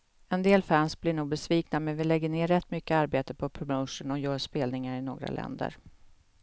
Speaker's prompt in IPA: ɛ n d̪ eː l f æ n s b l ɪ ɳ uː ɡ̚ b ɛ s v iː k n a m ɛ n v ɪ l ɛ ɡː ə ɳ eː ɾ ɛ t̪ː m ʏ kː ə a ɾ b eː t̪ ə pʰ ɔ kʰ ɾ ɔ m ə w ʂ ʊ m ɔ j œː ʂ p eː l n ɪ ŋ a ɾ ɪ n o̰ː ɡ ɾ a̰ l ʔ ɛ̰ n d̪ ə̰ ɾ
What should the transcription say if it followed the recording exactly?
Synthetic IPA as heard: ɛ n d̪ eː l f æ n s b l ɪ ɳ uː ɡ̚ b ɛ s v iː k n a m ɛ n v ɪ l ɛ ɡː ə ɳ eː ɾ ɛ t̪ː m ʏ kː ə a ɾ b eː t̪ ə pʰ ɔ pʰ ɾ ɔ m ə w ʂ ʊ n ɔ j œː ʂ p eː l n ɪ ŋ a ɾ ɪ n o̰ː ɡ ɾ a̰ l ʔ ɛ̰ n d̪ ə̰ ɾ